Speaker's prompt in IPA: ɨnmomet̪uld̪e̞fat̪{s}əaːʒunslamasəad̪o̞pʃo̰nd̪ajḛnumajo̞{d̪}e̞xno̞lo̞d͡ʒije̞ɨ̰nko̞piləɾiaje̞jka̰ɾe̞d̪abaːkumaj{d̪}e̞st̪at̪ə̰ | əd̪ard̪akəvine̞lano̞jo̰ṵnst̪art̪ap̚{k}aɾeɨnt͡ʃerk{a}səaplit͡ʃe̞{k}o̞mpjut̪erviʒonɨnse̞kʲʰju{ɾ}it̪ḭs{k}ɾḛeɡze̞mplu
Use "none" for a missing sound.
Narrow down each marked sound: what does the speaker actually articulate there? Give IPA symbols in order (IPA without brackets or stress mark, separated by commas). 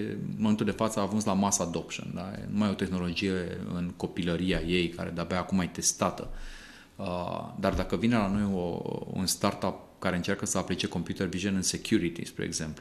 s, t̪, t̪, k, ə, k, ɾ, p